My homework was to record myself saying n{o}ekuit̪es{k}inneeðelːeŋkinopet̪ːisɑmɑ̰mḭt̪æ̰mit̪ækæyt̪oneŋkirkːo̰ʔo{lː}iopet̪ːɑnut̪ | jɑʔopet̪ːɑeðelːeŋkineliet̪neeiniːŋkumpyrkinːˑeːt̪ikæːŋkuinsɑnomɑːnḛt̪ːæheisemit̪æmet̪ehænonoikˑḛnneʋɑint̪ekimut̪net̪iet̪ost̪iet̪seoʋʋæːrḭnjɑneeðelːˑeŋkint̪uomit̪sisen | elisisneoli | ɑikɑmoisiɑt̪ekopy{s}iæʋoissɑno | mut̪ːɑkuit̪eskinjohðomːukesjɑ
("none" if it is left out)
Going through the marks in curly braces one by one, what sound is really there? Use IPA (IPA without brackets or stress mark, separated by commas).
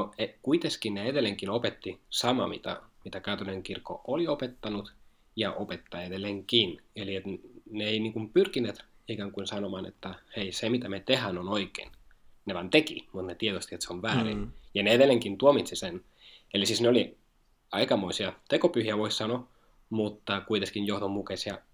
o, k, l, h